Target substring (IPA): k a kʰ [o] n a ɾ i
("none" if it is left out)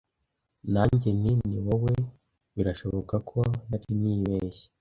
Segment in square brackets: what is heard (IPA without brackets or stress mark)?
o